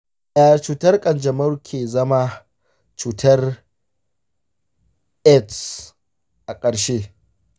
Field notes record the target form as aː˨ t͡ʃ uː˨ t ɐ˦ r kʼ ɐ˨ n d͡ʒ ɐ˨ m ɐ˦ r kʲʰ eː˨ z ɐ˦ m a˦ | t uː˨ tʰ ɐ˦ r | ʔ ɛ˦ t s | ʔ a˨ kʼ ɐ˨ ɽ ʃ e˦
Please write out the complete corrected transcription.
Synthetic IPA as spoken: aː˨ t͡ʃ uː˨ t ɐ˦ r kʼ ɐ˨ n d͡ʒ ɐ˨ m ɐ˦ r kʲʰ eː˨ z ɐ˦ m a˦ | t͡ʃ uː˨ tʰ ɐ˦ r | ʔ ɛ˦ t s | ʔ a˨ kʼ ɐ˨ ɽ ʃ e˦

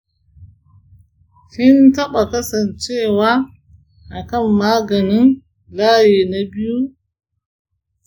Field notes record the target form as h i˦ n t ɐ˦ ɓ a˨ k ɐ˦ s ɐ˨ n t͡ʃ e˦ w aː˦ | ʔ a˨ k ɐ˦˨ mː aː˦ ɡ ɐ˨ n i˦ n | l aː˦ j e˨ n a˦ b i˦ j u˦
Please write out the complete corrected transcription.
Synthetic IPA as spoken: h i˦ n t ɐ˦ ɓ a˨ k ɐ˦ s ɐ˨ n t͡ʃ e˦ w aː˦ | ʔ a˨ k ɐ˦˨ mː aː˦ ɡ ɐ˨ n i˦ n | l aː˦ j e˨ n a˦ b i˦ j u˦

